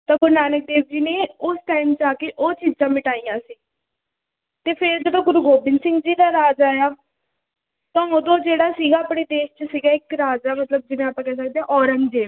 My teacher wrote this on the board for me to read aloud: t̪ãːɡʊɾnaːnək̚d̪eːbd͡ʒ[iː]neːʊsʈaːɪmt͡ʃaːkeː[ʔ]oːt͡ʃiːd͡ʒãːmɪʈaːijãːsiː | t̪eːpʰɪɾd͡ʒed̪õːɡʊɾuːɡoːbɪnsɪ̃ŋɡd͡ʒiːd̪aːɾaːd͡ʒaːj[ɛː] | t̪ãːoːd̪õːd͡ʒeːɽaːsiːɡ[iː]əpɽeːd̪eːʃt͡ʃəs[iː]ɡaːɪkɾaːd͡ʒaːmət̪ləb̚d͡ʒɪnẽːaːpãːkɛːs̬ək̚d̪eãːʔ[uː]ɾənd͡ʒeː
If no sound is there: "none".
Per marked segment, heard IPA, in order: iː, ʔ, aː, aː, iː, ɔː

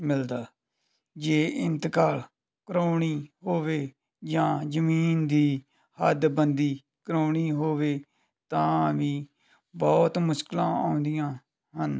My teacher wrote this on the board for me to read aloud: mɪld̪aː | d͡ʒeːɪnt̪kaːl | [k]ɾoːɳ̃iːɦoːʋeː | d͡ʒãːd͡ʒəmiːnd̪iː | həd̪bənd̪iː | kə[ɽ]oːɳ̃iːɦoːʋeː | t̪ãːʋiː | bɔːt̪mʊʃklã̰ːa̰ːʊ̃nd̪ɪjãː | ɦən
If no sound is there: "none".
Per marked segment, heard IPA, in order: k, ɾ

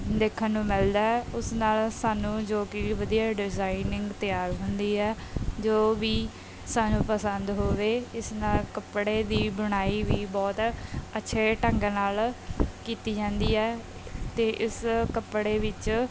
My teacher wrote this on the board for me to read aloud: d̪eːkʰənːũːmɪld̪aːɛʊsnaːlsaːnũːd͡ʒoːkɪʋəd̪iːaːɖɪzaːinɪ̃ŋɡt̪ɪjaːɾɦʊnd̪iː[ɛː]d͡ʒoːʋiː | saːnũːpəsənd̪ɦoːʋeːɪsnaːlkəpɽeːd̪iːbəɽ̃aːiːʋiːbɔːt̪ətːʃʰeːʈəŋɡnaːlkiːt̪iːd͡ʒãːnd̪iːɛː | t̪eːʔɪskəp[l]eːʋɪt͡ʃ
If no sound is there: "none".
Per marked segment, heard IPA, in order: ɛː, ɽ

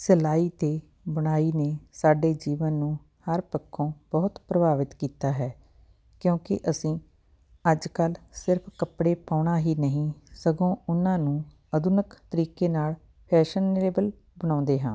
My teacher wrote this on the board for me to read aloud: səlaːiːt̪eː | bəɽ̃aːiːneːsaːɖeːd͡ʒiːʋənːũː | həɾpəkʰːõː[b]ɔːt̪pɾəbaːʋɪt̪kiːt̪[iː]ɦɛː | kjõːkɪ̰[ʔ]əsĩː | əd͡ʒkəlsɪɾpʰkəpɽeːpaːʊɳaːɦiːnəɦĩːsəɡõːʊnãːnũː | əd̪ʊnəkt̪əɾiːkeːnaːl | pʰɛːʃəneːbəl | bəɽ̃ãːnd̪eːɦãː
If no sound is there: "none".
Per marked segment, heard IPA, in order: b, aː, ʔ

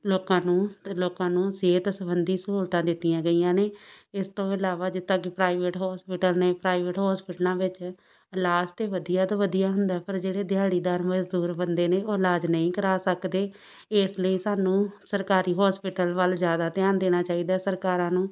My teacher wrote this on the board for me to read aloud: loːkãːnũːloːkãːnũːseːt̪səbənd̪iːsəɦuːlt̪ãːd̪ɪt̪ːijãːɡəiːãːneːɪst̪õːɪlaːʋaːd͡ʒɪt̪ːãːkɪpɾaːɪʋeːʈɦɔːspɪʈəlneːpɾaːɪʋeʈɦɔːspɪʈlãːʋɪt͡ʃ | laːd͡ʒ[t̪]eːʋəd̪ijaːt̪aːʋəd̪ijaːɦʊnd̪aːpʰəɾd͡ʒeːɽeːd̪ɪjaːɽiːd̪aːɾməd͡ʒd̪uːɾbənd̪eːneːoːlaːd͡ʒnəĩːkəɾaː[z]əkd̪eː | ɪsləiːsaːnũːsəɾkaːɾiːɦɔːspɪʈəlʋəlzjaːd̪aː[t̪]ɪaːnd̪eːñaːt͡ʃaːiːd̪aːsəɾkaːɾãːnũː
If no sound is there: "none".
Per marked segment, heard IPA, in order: t̪, s, t̪

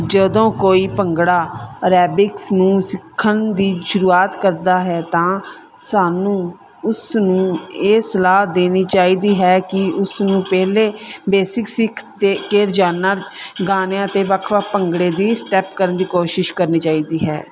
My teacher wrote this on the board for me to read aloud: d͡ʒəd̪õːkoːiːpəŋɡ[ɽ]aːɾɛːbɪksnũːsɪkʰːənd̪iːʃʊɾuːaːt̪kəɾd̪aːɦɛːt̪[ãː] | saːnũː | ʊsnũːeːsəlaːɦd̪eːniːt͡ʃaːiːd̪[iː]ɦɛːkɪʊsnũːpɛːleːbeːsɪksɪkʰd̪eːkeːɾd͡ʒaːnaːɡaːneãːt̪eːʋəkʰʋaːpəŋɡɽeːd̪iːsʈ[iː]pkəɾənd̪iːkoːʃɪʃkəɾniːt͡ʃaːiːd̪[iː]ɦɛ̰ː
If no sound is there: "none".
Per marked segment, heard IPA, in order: ɽ, ãː, iː, ɛː, iː

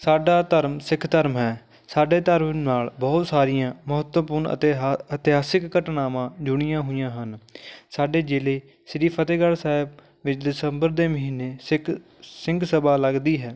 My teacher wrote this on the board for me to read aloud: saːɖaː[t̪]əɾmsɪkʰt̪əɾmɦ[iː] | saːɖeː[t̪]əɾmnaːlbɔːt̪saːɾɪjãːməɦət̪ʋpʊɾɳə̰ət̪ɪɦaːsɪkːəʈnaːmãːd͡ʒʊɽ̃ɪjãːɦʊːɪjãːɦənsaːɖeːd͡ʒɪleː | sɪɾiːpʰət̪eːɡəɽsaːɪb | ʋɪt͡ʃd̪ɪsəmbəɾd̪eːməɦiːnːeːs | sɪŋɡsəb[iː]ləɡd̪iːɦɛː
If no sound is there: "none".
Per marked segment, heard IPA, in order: t̪, ɛː, t̪, aː

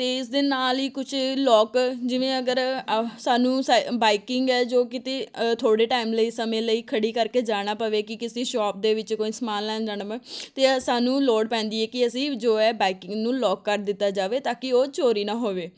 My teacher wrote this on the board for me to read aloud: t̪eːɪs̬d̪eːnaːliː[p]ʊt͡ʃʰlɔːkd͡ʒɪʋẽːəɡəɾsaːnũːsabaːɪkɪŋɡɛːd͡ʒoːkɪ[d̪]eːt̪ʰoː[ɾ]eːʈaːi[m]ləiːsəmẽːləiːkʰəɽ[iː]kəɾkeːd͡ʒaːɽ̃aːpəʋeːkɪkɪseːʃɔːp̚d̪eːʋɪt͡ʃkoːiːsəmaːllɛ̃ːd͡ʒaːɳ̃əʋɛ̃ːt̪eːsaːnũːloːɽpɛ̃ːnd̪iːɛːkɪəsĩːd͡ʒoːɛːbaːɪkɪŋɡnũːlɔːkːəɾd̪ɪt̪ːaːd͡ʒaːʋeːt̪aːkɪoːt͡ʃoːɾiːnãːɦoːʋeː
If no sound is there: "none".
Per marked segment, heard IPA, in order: k, t̪, ɽ, m, iː

